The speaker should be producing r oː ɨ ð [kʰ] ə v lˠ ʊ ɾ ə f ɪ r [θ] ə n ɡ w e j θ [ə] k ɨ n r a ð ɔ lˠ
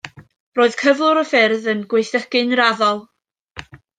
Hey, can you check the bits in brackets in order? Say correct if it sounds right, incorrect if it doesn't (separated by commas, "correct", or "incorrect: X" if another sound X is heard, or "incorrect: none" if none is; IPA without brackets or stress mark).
correct, incorrect: ð, correct